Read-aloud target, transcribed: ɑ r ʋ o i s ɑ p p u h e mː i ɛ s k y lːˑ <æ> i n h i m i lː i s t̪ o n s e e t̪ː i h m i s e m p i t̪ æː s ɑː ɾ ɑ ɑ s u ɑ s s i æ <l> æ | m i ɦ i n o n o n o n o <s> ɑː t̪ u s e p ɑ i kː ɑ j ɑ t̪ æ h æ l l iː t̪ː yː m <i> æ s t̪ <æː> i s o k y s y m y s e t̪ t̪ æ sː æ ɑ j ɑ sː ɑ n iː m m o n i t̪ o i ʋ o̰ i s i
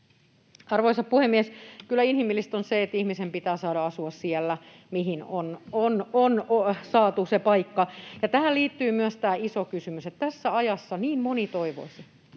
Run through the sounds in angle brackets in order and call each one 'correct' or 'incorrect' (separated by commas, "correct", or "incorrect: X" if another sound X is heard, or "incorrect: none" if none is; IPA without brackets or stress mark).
correct, incorrect: lː, correct, incorrect: y, correct